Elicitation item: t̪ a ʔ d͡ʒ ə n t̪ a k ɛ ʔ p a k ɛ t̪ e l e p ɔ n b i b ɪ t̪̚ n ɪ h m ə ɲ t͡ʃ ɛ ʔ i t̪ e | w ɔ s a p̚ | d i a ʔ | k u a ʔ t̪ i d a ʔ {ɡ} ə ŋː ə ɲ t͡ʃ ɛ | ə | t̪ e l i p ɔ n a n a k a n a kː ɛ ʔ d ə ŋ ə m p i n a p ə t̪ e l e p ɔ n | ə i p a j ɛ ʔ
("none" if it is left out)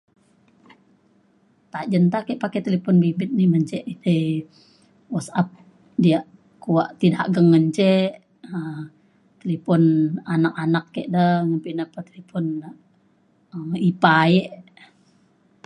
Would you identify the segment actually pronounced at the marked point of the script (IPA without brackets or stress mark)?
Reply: ɡ